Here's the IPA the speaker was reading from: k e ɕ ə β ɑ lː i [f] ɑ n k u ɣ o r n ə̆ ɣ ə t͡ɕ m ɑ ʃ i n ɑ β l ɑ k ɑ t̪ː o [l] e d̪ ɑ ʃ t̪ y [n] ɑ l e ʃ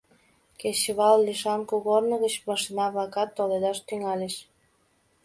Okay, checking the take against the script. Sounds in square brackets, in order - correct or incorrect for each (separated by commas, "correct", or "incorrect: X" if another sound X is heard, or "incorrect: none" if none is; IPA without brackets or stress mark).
incorrect: ʃ, correct, incorrect: ŋ